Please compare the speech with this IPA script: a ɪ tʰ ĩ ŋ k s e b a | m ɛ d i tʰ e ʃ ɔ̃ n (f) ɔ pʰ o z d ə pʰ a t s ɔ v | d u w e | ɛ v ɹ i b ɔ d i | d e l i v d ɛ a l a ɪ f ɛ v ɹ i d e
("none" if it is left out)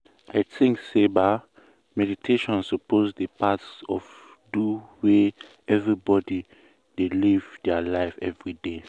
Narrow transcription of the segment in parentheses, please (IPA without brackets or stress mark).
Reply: s